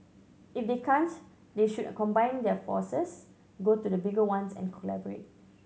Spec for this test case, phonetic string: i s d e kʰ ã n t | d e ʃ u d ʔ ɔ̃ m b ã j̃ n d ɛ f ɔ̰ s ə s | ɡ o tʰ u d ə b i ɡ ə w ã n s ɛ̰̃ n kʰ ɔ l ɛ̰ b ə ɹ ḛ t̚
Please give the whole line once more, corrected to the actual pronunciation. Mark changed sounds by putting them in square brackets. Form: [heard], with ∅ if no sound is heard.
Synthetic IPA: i [f] d e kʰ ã n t | d e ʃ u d [k] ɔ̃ m b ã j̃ n d ɛ f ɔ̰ s ə s | ɡ o [t] u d ə b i ɡ ə w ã n s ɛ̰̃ n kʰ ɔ l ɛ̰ b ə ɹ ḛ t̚